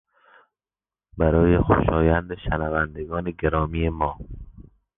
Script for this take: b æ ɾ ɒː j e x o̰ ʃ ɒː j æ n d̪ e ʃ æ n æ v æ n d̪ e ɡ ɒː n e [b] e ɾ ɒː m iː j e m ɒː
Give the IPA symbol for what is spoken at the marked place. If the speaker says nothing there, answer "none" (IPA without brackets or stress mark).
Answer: ɡ